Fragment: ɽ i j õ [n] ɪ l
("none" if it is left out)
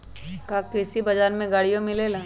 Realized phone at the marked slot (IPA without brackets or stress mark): m